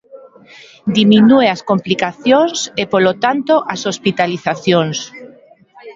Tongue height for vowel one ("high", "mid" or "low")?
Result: high